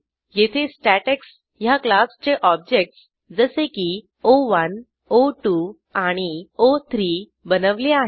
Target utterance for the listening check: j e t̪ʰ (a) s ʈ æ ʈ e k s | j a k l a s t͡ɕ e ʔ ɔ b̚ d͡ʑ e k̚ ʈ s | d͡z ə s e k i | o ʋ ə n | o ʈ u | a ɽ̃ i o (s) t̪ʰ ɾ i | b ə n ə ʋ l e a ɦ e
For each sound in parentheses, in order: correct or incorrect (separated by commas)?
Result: incorrect, incorrect